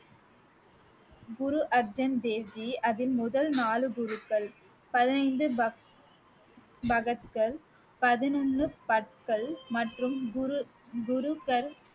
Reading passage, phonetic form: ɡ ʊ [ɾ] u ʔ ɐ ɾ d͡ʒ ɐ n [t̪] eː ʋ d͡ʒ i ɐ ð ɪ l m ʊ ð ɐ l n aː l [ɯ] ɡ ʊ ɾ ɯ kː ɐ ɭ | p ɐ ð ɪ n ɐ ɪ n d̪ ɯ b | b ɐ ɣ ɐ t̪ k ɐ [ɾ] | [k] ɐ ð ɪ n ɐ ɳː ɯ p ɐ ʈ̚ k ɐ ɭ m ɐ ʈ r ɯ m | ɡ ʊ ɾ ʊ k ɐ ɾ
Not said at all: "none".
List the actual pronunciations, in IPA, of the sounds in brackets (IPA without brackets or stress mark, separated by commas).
ɾ, d̪, ɯ, ɭ, p